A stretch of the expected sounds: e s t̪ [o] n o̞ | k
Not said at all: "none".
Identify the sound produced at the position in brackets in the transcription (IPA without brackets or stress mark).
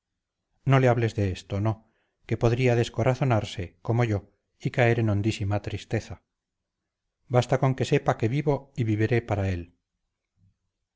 o